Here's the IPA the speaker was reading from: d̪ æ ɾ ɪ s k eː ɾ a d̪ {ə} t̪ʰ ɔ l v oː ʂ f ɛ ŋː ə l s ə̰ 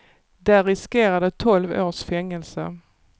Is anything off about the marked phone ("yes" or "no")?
no